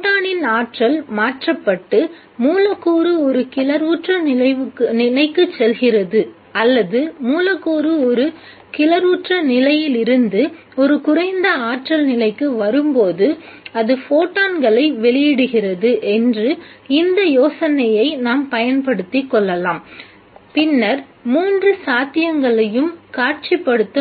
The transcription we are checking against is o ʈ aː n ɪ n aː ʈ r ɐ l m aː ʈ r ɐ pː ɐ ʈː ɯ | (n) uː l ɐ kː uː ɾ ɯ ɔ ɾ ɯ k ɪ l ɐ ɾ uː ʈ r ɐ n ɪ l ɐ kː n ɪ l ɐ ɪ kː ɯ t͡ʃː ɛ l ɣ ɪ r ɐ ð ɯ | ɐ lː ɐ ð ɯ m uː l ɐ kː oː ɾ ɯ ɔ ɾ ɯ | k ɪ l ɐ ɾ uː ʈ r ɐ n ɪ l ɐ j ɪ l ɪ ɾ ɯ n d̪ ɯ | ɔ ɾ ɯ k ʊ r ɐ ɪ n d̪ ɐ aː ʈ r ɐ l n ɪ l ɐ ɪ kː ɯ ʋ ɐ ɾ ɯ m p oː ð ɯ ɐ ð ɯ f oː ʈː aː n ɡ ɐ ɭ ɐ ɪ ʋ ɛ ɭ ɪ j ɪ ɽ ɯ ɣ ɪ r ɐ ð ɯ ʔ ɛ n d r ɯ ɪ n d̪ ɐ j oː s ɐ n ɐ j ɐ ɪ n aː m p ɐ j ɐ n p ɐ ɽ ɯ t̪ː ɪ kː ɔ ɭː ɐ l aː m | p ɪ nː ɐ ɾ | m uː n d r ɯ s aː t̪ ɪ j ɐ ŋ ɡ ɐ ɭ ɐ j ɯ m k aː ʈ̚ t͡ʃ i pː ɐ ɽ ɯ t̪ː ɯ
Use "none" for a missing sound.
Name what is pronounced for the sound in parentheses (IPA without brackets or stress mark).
m